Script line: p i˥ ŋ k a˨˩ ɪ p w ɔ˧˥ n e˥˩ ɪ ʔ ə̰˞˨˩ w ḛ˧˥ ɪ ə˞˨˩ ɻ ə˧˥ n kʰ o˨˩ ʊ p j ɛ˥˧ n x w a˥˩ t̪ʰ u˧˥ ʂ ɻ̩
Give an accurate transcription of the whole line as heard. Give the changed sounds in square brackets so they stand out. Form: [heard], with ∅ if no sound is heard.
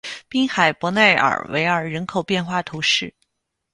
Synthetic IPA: p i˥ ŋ [x] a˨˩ ɪ p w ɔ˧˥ n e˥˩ ɪ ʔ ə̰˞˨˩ w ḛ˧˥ ɪ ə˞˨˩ ɻ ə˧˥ n kʰ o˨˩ ʊ p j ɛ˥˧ n x w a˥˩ t̪ʰ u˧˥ ʂ ɻ̩